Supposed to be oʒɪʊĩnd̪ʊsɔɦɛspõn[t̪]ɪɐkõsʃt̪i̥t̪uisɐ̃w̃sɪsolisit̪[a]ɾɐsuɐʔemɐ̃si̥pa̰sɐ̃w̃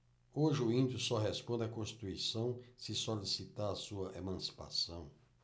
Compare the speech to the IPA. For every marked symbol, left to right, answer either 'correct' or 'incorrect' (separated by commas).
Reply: incorrect, correct